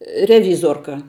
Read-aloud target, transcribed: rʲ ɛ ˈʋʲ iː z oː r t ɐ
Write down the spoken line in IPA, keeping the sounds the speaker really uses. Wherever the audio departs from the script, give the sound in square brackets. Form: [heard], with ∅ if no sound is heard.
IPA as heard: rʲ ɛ ˈʋʲ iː z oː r [k] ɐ